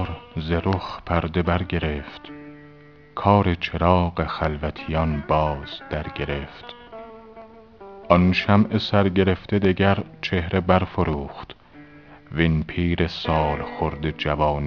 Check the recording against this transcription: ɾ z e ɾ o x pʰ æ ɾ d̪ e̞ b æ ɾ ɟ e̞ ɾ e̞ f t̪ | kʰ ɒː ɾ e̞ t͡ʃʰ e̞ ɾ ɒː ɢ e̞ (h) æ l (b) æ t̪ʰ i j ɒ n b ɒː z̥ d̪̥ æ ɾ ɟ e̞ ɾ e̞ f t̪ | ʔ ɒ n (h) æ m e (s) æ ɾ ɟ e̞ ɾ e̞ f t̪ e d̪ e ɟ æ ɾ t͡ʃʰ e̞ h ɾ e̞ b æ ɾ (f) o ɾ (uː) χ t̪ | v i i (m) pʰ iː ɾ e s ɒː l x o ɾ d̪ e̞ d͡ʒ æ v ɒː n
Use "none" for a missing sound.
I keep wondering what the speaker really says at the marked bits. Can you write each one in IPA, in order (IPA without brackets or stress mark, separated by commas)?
x, v, ʃ, s, f, uː, n